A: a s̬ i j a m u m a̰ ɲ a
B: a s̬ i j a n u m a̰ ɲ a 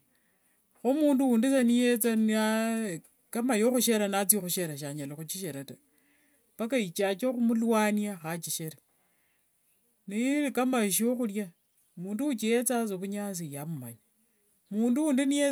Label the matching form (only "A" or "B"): A